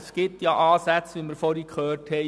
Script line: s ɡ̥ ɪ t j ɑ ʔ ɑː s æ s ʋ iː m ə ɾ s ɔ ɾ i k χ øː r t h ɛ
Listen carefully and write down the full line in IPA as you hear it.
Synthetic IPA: s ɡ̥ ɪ t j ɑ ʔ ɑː s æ t͡s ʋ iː m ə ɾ f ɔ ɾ i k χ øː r t h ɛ